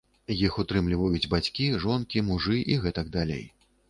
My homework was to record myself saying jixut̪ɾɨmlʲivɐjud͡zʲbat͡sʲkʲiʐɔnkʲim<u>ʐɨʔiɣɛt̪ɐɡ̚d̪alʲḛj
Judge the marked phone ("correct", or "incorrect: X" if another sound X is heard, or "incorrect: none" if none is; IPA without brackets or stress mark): correct